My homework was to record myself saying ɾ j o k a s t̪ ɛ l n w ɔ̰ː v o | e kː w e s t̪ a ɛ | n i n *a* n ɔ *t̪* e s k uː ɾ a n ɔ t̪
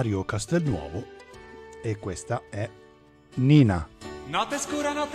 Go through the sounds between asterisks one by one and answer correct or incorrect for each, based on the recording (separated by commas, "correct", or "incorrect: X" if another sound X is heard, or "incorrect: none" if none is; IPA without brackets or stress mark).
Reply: correct, correct